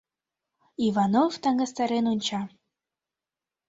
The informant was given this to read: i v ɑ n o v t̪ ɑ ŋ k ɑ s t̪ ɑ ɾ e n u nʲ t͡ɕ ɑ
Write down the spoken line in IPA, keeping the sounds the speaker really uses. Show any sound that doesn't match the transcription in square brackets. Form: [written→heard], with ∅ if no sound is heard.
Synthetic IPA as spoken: i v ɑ n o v t̪ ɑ ŋ [k→ɡ] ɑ s t̪ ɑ ɾ e n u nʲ t͡ɕ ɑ